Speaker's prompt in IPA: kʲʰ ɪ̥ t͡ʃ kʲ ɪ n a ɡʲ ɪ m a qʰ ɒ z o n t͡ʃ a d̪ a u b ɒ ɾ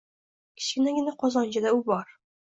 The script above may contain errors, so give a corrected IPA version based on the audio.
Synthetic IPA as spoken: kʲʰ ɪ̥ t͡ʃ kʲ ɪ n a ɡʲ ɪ n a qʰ ɒ z ɒ n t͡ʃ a d̪ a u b ɒ ɾ